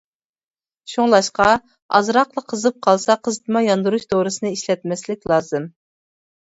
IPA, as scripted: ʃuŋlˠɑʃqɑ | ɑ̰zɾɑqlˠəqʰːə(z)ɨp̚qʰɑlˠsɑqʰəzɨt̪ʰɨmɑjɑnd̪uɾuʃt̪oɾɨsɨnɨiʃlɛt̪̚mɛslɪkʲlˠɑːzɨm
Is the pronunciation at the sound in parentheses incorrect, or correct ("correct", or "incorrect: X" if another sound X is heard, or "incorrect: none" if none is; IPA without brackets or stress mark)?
correct